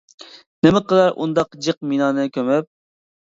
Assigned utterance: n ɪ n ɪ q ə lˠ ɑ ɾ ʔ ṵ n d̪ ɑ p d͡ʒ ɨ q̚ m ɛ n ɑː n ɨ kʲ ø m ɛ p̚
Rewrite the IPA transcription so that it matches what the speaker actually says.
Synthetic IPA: n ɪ m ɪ q ə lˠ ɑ ɾ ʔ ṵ n d̪ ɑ q d͡ʒ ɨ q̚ m i n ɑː n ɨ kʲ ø m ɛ p̚